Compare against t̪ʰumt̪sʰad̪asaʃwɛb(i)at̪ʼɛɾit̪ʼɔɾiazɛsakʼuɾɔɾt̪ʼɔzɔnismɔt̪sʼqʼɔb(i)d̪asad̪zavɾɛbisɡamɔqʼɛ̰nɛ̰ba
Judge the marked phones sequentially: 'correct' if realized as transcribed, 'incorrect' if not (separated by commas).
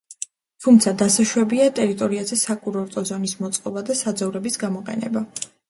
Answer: correct, incorrect